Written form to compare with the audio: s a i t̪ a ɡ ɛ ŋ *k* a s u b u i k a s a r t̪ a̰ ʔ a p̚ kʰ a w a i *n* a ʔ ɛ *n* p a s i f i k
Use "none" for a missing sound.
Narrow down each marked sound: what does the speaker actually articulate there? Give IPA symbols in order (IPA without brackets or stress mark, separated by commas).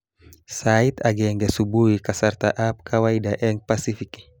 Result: ɡ, d, ŋ